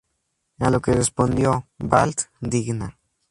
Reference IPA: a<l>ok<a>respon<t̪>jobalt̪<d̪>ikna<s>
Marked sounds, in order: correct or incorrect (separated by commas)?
correct, incorrect, incorrect, correct, incorrect